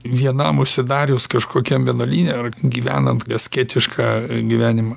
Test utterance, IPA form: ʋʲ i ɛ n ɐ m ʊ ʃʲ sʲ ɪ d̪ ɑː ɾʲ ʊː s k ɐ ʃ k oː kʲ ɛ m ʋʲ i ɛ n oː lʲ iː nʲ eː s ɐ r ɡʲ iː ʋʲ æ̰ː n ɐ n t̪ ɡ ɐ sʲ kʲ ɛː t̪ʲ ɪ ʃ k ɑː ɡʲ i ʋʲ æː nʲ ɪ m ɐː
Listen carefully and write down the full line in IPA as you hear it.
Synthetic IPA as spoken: ʋʲ i ɛ n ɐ m ʊ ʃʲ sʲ ɪ d̪ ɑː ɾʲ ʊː s k ɐ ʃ k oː kʲ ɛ m ʋʲ i ɛ n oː lʲ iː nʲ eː ɐ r ɡʲ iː ʋʲ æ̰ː n ɐ n t̪ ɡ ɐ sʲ kʲ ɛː t̪ʲ ɪ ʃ k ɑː ɡʲ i ʋʲ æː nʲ ɪ m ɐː